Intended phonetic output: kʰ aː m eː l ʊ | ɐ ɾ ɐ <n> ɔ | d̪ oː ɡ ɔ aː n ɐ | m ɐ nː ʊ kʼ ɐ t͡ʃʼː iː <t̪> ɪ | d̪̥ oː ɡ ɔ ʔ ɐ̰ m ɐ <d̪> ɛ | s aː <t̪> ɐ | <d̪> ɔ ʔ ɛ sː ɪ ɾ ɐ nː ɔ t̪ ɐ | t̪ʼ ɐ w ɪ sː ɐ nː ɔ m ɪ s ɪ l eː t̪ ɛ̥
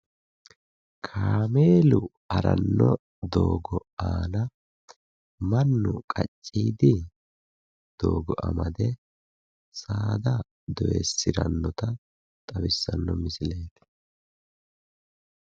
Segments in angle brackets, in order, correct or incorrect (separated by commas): incorrect, incorrect, correct, incorrect, correct